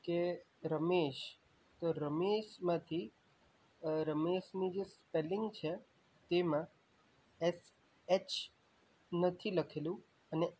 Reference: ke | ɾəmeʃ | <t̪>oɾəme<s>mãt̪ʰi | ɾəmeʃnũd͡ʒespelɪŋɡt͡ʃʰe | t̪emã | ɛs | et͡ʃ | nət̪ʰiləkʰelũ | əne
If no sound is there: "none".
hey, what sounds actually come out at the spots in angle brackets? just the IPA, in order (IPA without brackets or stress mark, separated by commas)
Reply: t̪, ʃ